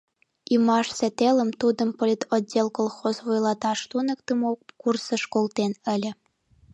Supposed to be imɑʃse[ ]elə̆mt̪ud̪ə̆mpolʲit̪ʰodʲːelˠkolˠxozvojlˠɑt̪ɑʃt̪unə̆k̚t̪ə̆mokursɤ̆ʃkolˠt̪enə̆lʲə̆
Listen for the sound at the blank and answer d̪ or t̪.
t̪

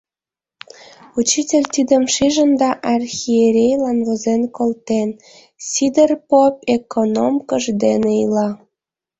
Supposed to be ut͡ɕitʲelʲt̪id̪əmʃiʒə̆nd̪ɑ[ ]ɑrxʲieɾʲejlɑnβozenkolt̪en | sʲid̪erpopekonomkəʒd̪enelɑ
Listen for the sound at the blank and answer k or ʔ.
ʔ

